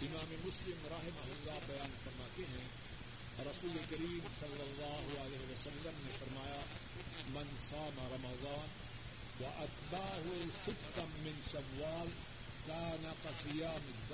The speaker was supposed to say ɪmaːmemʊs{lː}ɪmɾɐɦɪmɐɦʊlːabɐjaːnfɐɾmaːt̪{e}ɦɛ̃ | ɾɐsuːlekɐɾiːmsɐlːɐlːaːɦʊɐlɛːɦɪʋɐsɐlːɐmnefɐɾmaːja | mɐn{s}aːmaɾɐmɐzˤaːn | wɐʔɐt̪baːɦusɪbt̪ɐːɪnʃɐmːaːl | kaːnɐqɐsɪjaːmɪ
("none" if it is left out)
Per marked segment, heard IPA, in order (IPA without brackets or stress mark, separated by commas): l, e, s